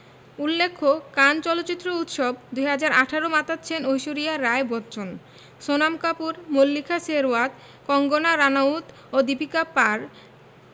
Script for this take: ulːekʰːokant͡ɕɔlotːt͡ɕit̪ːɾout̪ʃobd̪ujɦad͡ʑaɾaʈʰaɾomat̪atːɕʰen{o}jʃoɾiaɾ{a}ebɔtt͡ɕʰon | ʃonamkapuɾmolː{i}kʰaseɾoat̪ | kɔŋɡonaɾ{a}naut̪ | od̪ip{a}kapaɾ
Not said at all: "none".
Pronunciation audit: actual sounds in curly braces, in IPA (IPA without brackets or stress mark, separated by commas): o, a, i, a, i